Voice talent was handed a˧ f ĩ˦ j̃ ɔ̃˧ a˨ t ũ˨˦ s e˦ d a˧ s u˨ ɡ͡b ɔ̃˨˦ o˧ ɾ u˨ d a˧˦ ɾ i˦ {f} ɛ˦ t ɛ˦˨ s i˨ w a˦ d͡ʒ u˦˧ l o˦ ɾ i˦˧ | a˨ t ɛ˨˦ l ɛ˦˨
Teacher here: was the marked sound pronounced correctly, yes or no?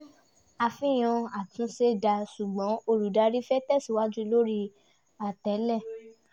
yes